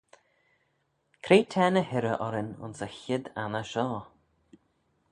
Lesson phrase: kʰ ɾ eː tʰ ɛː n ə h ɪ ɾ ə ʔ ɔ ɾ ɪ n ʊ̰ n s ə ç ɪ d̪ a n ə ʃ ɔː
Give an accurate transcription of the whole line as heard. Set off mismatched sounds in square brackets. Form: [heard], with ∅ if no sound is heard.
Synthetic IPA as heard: kʰ ɾ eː tʰ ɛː n ə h ɪ ɾ ə ʔ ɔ ɾ ɪ n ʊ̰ n s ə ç ɪ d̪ a n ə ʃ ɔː